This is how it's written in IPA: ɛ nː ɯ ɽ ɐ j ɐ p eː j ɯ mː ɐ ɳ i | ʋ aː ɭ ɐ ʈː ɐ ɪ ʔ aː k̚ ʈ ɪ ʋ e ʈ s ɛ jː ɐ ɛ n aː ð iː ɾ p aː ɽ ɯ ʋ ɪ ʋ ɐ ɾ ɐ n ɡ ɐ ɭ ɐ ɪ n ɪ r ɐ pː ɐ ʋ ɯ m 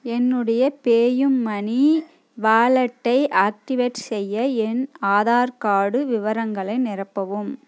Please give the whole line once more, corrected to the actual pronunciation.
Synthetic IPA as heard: ɛ nː ɯ ɽ ɐ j ɐ p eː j ɯ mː ɐ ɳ i | ʋ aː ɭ ɐ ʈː ɐ ɪ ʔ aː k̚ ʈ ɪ ʋ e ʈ s ɛ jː ɐ ɛ n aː ð aː ɾ k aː ɽ ɯ ʋ ɪ ʋ ɐ ɾ ɐ ŋ ɡ ɐ ɭ ɐ ɪ n ɪ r ɐ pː ɐ ʋ ɯ m